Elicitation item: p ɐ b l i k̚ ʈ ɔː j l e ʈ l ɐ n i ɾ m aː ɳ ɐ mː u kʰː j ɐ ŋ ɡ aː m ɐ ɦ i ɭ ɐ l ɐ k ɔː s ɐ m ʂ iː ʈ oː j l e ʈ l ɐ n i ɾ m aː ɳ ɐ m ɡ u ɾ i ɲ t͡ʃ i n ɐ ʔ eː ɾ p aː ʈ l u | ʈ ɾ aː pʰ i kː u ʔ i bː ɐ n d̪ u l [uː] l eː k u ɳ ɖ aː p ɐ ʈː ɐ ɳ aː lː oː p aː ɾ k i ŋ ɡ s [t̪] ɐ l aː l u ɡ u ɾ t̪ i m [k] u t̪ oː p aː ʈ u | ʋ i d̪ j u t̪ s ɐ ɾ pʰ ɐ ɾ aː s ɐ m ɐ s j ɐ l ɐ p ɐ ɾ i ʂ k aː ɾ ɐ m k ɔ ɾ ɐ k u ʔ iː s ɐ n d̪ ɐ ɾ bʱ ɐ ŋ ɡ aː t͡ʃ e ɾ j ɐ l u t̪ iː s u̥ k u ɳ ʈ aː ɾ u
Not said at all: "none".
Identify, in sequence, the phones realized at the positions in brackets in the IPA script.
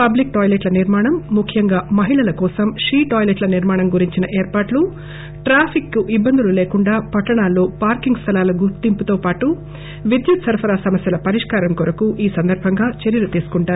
u, t̪ʰ, p

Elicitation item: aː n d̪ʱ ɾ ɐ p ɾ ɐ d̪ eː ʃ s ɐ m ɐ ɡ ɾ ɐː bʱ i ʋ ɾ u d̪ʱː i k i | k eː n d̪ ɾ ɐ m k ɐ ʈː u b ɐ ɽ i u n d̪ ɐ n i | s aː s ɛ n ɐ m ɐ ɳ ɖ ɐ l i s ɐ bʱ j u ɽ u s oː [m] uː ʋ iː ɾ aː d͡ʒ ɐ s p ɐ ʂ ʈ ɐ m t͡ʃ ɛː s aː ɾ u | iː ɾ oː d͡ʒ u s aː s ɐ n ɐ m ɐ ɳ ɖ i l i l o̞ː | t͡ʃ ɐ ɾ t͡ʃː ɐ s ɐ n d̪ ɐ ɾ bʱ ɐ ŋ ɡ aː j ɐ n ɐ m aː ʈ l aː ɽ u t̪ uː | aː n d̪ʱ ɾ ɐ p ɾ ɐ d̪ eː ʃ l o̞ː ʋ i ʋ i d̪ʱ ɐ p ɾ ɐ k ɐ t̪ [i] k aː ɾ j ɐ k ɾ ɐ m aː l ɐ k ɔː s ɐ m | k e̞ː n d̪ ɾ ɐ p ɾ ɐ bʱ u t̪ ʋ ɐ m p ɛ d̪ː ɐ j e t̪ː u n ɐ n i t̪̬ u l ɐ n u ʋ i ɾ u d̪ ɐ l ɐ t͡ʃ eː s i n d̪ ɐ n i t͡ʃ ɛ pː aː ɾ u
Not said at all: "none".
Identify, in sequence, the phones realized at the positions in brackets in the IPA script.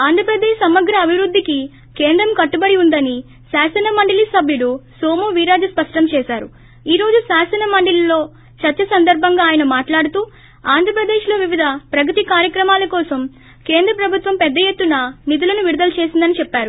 m, i

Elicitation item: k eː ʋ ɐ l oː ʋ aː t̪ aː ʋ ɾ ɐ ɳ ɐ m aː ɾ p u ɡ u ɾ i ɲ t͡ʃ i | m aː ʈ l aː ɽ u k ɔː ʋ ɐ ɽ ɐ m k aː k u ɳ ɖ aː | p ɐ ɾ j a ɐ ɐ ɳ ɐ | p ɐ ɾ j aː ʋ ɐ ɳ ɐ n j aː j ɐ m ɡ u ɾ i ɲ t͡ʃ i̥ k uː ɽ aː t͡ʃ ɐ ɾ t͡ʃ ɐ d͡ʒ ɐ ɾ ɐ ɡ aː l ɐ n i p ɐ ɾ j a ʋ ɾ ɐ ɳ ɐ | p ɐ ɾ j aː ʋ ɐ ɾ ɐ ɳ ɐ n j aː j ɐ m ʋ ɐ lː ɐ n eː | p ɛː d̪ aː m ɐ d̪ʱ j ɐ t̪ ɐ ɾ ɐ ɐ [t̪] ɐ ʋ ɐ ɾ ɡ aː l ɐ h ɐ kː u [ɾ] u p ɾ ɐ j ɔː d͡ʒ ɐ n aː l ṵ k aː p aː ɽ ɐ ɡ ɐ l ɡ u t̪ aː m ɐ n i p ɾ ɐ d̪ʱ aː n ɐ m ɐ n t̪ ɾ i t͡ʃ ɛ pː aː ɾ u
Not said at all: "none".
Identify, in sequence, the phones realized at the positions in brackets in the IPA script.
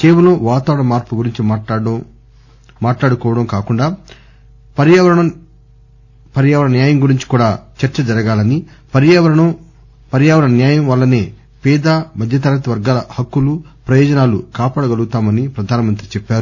t̪, l

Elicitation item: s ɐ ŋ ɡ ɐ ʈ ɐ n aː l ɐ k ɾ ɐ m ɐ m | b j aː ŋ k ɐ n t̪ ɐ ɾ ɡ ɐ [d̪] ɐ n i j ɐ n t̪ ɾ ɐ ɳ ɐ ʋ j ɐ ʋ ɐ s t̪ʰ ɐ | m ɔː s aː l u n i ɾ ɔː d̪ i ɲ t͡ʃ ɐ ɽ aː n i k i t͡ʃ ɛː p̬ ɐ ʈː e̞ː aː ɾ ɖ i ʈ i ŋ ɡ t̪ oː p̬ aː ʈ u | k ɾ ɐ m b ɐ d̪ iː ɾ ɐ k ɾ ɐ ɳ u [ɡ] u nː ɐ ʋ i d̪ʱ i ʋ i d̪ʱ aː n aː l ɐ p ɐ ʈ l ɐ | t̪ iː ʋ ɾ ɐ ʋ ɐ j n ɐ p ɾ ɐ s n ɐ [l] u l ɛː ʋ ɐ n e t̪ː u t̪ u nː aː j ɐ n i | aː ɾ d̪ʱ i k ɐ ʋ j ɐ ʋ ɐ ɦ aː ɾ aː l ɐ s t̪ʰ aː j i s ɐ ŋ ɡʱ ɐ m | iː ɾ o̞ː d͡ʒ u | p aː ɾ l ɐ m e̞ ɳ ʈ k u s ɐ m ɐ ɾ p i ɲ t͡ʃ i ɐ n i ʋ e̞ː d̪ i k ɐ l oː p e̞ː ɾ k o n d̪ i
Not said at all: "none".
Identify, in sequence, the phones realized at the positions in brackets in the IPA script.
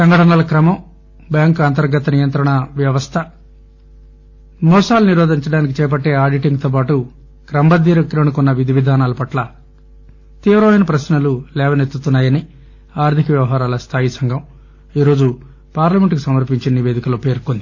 t̪, k, l

